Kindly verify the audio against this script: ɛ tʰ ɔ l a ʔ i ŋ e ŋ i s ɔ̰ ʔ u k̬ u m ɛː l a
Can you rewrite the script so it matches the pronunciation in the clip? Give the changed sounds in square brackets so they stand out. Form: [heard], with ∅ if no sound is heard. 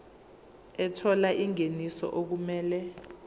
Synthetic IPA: ɛ tʰ ɔ l a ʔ i ŋ e [n] i s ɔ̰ ʔ [o] k̬ u m ɛː l [ɛ]